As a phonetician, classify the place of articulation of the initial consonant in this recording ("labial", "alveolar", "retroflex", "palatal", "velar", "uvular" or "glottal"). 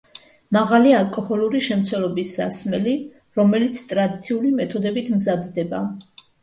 labial